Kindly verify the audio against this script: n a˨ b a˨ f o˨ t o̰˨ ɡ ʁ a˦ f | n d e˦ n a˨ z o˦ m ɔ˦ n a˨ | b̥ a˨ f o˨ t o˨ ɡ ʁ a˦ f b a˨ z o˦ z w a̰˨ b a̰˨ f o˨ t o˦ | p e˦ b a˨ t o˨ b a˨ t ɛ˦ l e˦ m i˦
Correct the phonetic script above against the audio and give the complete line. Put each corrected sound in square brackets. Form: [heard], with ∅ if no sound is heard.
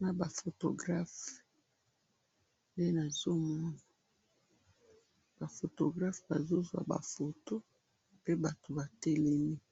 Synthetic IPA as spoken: n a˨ b a˨ f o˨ t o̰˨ ɡ ʁ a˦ f | n d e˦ n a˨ z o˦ m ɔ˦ n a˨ | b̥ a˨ f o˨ t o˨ ɡ ʁ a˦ f b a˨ z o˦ z w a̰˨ b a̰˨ f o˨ t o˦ | p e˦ b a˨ t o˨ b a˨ t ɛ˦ l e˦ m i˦